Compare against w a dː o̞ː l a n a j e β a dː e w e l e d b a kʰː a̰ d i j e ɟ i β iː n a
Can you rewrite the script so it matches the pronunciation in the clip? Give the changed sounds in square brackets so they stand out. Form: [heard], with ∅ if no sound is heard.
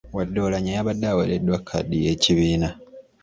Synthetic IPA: w a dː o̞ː l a [ɲ] a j [a] β a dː [a] w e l e d [w] a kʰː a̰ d i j e [c] i β iː n a